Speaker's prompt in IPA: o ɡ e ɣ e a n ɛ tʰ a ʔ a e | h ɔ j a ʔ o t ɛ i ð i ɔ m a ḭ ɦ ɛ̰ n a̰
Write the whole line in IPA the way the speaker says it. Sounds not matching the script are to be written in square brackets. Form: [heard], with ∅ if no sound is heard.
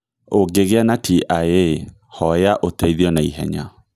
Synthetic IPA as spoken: o ɡ e ɣ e a n [a] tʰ [i] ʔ a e | h ɔ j a ʔ o t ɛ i ð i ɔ [n] a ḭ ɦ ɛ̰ [ɲ] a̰